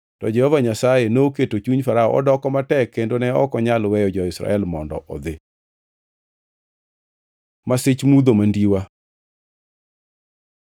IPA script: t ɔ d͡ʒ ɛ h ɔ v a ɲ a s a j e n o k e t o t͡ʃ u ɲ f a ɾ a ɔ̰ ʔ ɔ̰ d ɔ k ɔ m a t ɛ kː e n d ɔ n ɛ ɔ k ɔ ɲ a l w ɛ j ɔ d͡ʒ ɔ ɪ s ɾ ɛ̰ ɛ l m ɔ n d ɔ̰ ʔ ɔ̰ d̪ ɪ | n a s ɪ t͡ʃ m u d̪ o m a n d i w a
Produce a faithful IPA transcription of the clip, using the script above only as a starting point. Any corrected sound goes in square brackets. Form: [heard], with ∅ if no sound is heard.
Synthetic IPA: t ɔ d͡ʒ ɛ h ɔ v a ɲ a s a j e n o k e t o t͡ʃ u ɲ f a ɾ a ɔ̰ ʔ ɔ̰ d ɔ k ɔ m a t ɛ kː e n d [o] n ɛ ɔ k ɔ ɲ a l w ɛ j ɔ d͡ʒ ɔ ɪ s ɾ [a̰] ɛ l m ɔ n d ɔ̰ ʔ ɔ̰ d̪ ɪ | [m] a s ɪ t͡ʃ m u d̪ o m a n d i w a